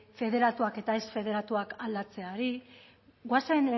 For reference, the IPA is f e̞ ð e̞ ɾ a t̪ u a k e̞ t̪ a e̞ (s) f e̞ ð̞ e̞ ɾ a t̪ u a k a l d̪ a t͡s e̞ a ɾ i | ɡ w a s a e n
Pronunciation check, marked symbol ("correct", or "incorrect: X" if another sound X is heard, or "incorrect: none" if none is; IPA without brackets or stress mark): correct